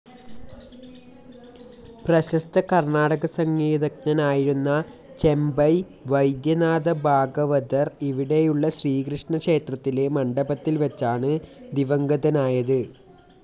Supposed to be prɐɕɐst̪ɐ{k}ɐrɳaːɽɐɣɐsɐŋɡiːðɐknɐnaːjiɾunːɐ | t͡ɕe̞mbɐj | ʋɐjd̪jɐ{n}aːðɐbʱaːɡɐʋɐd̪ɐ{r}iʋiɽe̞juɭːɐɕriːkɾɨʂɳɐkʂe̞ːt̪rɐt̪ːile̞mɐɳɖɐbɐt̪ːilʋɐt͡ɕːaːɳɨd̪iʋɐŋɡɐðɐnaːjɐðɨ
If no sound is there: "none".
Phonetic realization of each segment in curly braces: k, n, r

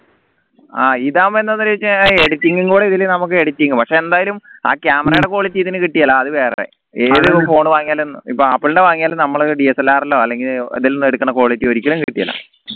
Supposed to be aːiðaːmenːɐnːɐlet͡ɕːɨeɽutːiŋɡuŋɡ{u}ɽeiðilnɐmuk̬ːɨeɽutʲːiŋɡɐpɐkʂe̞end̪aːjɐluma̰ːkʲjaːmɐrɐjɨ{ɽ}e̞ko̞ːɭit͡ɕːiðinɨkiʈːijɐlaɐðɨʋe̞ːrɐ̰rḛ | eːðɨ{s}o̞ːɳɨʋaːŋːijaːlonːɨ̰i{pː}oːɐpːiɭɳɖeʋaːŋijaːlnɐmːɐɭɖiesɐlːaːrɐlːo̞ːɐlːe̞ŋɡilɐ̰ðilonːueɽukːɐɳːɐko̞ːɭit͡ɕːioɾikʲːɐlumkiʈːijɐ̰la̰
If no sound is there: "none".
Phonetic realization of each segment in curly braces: uː, ɽ, f, pː

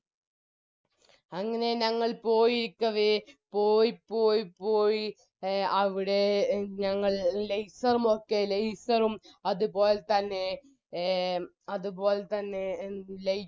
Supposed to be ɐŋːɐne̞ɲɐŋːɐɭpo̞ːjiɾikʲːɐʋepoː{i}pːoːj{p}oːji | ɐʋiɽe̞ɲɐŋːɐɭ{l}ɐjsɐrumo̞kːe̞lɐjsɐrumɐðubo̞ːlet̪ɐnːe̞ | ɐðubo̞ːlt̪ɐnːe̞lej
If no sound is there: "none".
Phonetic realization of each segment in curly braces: j, p, l

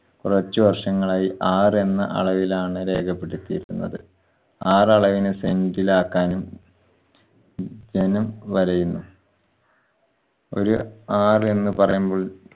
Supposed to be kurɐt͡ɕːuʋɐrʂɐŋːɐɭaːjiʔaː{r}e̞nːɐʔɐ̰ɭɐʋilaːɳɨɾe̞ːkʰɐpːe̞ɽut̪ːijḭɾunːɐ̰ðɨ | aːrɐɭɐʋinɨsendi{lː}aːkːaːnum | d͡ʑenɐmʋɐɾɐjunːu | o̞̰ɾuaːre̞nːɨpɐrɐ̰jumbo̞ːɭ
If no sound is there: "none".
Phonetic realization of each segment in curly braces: r, l

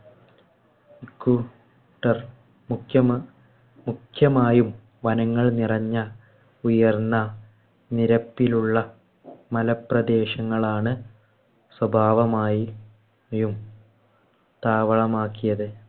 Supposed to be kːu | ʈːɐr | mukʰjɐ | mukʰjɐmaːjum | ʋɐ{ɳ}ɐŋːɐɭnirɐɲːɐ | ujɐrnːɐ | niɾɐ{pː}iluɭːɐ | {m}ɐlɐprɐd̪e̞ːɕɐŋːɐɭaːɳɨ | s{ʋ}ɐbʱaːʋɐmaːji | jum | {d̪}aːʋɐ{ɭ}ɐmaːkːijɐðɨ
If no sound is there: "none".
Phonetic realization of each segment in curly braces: n, pː, m, w, t̪, ɭ

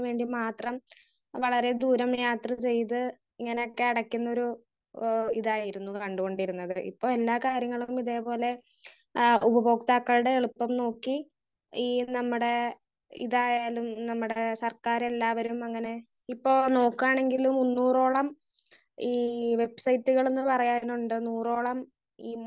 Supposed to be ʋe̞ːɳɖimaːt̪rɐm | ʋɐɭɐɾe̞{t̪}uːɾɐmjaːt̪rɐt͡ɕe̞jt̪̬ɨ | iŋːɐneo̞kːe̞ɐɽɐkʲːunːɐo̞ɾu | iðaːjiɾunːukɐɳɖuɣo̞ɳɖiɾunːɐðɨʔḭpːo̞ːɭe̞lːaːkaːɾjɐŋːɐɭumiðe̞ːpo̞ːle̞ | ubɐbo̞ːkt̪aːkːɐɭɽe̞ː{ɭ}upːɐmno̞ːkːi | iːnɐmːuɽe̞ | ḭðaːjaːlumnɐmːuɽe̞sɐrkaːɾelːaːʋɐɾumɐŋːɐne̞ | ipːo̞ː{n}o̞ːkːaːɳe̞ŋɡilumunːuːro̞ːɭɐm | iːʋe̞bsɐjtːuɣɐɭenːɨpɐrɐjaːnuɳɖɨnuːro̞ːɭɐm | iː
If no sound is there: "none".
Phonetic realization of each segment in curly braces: d̪, ɭ, n

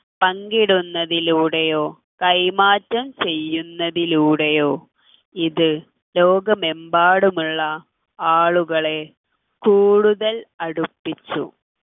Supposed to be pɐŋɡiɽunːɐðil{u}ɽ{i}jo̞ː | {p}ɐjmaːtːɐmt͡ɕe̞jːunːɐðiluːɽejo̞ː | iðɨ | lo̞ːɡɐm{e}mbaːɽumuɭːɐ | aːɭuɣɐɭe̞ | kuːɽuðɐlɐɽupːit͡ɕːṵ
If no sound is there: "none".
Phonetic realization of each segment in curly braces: uː, e, k, e

